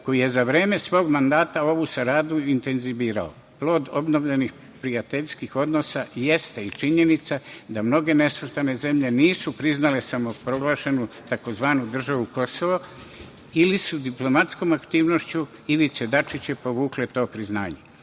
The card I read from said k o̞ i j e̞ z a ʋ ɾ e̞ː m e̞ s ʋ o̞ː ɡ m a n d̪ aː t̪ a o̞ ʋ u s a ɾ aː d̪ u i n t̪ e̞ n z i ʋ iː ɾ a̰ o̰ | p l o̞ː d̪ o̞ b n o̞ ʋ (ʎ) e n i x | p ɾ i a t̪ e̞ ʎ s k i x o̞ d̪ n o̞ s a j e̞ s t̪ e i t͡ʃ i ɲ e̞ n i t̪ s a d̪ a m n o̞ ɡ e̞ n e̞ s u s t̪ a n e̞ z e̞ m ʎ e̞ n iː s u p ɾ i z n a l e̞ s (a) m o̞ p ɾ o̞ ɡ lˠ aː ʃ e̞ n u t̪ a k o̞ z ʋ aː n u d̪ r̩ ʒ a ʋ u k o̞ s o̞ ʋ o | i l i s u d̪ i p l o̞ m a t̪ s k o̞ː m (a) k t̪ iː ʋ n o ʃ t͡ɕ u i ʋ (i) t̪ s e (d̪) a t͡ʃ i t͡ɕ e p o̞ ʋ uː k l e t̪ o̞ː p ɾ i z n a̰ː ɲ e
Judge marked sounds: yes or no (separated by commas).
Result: yes, yes, yes, yes, yes